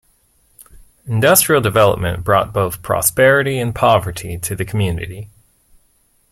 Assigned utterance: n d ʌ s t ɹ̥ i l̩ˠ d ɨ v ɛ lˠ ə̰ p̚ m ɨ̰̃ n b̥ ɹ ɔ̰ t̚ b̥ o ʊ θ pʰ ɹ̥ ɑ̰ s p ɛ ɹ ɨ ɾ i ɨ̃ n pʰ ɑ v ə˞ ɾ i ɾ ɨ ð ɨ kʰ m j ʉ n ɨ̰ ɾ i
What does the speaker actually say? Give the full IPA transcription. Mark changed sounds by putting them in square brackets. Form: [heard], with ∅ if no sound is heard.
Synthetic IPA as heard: n d ʌ s t ɹ̥ i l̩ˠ d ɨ v ɛ lˠ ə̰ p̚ m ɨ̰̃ n b̥ ɹ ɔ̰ t̚ b̥ o ʊ θ pʰ ɹ̥ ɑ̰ s p ɛ ɹ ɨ ɾ i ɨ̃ n pʰ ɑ v ə˞ ɾ i ɾ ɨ ð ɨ kʰ m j ʉ n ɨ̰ ɾ i